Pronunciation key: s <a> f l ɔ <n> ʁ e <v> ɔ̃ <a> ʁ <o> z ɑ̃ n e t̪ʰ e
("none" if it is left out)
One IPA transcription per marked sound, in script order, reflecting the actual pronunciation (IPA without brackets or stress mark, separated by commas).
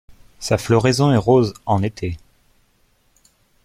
a, none, z, ɛ, o